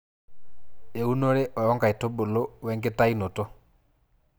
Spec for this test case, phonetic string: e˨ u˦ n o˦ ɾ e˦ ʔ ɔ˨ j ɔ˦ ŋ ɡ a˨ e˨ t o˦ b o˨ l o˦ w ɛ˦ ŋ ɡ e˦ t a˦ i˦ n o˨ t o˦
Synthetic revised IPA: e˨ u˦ n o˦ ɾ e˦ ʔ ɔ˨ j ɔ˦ ŋ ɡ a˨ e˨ t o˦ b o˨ l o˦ w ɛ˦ ŋ ɡ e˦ t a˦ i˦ n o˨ t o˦